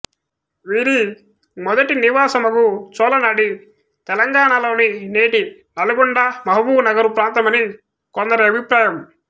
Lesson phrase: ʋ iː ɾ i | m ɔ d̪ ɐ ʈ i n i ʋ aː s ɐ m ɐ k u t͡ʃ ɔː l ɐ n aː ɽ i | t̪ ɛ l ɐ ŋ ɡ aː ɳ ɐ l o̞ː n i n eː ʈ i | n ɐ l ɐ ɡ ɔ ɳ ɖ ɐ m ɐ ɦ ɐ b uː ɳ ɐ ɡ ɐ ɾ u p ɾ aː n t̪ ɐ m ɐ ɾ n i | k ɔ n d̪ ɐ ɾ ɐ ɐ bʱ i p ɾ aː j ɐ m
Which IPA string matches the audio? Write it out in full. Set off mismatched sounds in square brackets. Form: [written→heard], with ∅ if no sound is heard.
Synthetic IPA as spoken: ʋ iː ɾ i | m ɔ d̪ ɐ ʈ i n i ʋ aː s ɐ m ɐ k u t͡ʃ ɔː l ɐ n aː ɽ i | t̪ ɛ l ɐ ŋ ɡ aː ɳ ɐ l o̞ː n i n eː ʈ i | n ɐ l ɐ ɡ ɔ ɳ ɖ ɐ m ɐ ɦ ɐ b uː [ɳ→n] ɐ ɡ ɐ ɾ u p ɾ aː n t̪ ɐ m ɐ [ɾ→∅] n i | k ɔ n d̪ ɐ ɾ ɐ ɐ bʱ i p ɾ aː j ɐ m